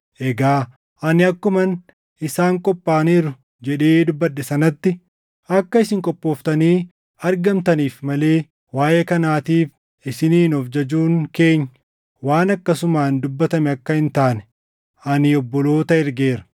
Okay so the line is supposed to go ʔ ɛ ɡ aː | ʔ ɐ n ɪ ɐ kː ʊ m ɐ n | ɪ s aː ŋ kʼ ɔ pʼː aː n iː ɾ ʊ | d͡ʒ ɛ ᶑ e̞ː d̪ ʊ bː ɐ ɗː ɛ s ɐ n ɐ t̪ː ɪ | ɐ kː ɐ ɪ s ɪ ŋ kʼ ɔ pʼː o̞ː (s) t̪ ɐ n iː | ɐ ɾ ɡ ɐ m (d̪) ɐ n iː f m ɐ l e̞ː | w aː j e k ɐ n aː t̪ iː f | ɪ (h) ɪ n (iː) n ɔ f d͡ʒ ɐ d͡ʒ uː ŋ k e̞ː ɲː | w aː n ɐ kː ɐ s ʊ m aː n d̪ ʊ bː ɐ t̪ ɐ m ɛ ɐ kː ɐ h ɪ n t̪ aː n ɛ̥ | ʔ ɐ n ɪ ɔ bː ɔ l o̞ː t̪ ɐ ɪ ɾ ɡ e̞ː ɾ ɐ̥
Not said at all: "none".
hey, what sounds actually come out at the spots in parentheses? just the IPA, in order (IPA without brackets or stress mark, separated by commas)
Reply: f, t̪, s, iː